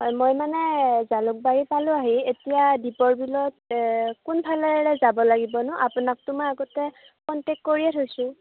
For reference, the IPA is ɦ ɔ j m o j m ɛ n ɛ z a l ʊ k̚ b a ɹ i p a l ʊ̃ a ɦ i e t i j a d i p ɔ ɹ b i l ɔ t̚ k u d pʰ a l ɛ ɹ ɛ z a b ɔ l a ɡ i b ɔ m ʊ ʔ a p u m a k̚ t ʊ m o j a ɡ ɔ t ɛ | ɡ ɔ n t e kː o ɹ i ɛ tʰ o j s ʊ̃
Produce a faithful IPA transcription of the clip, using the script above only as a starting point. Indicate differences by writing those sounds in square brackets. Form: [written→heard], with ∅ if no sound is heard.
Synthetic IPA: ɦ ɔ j m o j m [ɛ→a] n ɛ z a l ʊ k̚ b a ɹ i p a l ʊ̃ a ɦ i e t i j a d i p ɔ ɹ b i l ɔ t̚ k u [d→n] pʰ a l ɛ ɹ ɛ z a b ɔ l a ɡ i b ɔ [m→n] ʊ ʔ a p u [m→n] a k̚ t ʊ m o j a ɡ ɔ t ɛ | [ɡ→k] ɔ n t e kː o ɹ i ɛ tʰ o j s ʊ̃

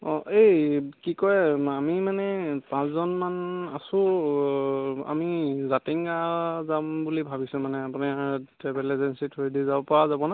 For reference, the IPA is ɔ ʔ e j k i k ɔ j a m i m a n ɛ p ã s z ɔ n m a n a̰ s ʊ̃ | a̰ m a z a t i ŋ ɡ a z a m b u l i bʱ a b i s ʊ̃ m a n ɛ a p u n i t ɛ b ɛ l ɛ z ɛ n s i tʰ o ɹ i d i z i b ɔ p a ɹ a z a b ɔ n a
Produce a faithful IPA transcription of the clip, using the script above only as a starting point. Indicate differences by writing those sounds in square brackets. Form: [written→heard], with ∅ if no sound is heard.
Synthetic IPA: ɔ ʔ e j k i k ɔ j a m i m a n ɛ p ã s z ɔ n m a n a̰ s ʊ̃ | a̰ m [a→i] z a t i ŋ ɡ a z a m b u l i bʱ a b i s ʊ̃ m a n ɛ a p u n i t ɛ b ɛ l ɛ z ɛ n s i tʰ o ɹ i d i z [i→a] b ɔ p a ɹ a z a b ɔ n a

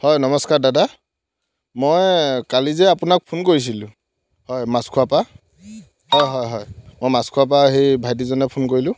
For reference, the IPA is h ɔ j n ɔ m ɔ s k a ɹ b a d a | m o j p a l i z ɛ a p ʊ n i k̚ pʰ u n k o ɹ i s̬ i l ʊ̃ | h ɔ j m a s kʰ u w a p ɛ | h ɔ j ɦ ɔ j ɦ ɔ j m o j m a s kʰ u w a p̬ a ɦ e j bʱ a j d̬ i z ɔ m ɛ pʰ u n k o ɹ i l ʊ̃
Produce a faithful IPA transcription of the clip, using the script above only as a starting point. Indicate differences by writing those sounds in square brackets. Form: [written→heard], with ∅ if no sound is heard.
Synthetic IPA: h ɔ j n ɔ m ɔ s k a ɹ [b→d] a d a | m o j [p→k] a l i z ɛ a p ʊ n [i→a] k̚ pʰ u n k o ɹ i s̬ i l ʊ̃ | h ɔ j m a s kʰ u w a p [ɛ→a] | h ɔ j ɦ ɔ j ɦ ɔ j m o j m a s kʰ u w a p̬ a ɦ e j bʱ a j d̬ i z ɔ [m→n] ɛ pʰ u n k o ɹ i l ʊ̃

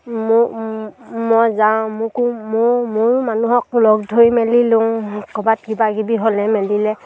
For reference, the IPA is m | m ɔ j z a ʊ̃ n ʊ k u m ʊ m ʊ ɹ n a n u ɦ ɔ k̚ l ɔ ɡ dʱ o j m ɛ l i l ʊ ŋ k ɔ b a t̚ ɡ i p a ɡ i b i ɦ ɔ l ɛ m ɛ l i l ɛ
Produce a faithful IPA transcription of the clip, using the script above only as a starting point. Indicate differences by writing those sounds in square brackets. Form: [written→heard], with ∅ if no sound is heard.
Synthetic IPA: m | m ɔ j z a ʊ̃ [n→m] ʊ k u m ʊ m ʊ ɹ [n→m] a n u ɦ ɔ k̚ l ɔ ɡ dʱ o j m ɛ l i l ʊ ŋ k ɔ b a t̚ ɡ i [p→b] a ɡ i b i ɦ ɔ l ɛ m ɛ l i l ɛ

